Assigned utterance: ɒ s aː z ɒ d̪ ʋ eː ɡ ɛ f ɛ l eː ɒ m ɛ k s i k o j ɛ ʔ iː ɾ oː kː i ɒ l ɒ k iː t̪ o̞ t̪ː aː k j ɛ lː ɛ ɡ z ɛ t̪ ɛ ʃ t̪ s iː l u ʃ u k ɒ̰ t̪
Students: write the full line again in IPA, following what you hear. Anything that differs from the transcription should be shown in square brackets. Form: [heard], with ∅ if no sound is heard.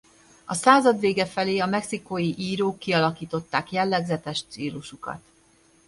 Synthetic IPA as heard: ɒ s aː z ɒ d̪ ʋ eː ɡ ɛ f ɛ l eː ɒ m ɛ k s i k o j [i] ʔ iː ɾ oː kː i ɒ l ɒ k iː t̪ o̞ t̪ː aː k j ɛ lː ɛ ɡ z ɛ t̪ ɛ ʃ t̪ s iː l u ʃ u k ɒ̰ t̪